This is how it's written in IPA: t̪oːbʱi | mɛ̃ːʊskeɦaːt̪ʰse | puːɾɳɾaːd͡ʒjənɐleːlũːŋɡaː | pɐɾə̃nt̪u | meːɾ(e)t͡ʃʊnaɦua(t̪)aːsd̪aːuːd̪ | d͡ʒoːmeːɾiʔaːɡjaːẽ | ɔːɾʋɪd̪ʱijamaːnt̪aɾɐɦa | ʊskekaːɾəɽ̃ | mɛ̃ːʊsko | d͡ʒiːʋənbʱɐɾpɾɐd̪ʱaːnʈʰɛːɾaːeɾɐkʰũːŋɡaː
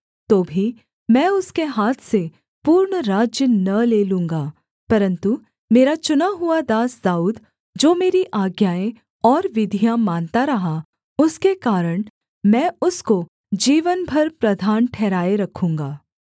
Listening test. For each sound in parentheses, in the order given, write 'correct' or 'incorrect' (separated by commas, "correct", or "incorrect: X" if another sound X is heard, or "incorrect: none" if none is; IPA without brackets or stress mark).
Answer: incorrect: a, incorrect: d̪